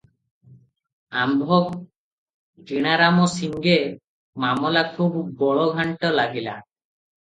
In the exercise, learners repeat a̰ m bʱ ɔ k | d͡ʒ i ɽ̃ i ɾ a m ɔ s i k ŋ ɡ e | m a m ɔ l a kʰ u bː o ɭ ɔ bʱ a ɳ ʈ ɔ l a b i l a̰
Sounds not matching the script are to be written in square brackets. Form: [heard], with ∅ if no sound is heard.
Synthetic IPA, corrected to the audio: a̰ m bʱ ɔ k | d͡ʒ i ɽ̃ [a] ɾ a m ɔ s i [∅] ŋ ɡ e | m a m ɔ l a kʰ u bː [ɔ] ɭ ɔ [ɡʱ] a ɳ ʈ ɔ l a [ɡ] i l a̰

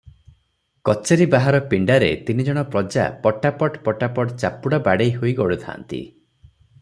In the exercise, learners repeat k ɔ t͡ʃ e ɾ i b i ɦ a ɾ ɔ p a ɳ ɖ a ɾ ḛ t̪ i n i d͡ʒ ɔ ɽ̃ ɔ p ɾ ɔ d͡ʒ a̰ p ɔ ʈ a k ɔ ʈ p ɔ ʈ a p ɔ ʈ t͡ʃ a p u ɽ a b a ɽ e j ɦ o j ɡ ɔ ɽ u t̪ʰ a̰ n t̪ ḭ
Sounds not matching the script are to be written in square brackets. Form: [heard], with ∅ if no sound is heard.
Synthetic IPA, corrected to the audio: k ɔ t͡ʃ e ɾ i b [a] ɦ a ɾ ɔ p [i] ɳ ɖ a ɾ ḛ t̪ i n i d͡ʒ ɔ ɽ̃ ɔ p ɾ ɔ d͡ʒ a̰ p ɔ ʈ a [p] ɔ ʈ p ɔ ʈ a p ɔ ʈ t͡ʃ a p u ɽ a b a ɽ e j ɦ o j ɡ ɔ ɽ u t̪ʰ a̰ n t̪ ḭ

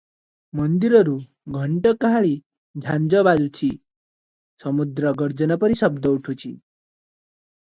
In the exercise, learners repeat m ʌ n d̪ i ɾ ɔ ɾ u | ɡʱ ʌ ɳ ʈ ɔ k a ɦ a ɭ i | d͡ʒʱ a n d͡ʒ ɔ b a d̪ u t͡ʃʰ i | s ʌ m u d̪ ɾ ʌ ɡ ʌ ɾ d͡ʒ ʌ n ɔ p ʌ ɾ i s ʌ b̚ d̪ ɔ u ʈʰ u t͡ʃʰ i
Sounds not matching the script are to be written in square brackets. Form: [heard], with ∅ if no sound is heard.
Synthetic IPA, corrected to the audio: m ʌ n d̪ i ɾ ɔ ɾ u | ɡʱ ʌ ɳ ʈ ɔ k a ɦ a ɭ i | d͡ʒʱ a n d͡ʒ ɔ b a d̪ u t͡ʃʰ i | s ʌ m u d̪ ɾ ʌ ɡ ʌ ɾ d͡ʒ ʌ n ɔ p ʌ ɾ i s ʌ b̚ d̪ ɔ u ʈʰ u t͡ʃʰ i

